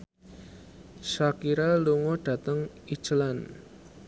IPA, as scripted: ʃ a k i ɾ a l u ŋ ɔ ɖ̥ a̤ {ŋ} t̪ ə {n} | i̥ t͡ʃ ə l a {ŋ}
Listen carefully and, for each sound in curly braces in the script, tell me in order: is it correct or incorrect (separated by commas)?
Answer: incorrect, incorrect, incorrect